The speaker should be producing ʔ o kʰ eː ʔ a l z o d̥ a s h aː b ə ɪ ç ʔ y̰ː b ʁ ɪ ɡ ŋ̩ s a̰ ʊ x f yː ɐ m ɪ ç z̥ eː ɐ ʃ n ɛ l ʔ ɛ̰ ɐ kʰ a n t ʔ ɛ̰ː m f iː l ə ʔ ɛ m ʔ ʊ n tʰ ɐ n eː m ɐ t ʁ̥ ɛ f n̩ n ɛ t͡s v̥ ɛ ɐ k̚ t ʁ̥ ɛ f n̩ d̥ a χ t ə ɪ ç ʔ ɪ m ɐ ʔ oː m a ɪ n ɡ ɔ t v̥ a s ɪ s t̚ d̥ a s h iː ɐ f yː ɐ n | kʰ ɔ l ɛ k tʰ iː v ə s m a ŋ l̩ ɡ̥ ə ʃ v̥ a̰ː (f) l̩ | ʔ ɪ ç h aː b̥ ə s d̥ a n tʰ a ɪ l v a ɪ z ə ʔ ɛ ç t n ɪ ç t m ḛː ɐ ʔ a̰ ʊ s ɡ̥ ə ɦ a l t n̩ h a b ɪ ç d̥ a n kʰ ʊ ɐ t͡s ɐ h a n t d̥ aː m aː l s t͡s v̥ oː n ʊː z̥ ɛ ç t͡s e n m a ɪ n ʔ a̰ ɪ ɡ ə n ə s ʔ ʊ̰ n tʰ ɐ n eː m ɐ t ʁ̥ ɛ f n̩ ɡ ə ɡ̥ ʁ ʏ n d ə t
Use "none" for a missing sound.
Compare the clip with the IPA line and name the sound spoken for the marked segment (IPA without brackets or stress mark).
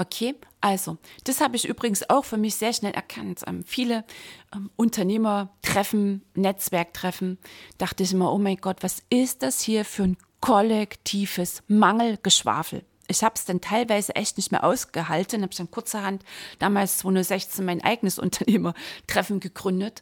f